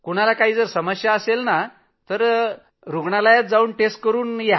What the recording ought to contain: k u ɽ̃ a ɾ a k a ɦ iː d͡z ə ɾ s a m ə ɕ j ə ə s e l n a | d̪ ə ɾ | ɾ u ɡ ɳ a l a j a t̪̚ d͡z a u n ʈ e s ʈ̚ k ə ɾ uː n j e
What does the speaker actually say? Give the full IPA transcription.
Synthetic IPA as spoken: k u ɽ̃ a l a k a ɦ iː d͡z ə ɾ s ə m ə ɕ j a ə s e l n a | t̪ ə ɾ | ɾ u ɡ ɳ a l a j a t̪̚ d͡z a uː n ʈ e s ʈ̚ k ə ɾ uː n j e